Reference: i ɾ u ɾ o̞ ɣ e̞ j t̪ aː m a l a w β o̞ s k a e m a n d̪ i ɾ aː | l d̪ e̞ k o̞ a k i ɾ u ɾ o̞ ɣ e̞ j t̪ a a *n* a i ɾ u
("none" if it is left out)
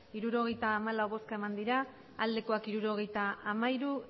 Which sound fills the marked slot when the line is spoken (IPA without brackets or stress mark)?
m